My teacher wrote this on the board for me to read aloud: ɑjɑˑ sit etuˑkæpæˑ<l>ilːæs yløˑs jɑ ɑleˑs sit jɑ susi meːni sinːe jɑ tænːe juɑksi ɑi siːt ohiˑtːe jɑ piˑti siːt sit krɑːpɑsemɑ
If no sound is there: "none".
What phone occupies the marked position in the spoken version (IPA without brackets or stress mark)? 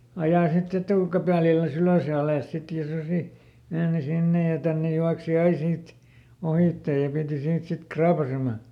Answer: l